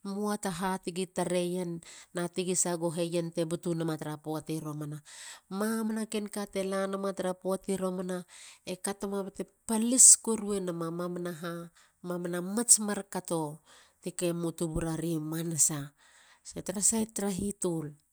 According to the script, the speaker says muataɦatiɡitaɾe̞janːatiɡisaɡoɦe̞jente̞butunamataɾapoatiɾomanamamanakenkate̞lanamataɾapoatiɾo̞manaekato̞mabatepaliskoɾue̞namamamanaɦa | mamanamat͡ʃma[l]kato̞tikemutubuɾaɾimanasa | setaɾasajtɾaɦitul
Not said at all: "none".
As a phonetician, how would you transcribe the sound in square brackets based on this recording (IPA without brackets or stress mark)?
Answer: ɾ